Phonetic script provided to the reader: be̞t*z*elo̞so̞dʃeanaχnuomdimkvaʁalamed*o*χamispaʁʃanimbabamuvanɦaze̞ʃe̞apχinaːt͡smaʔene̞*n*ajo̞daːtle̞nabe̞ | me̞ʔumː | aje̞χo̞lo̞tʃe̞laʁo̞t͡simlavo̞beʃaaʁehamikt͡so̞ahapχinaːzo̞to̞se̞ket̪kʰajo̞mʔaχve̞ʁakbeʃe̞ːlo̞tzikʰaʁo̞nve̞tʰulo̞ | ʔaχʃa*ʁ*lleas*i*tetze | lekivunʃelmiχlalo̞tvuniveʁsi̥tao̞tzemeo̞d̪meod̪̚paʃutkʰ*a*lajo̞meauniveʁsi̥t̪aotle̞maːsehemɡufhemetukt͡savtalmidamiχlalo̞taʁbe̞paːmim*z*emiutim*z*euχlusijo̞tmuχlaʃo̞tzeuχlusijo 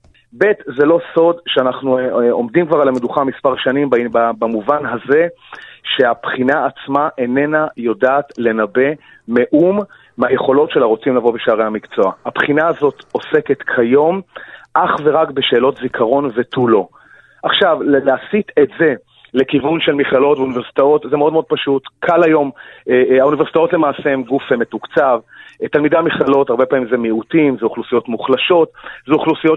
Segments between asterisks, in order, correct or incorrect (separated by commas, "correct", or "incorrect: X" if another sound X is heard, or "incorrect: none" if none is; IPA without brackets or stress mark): correct, incorrect: u, correct, incorrect: v, correct, correct, correct, correct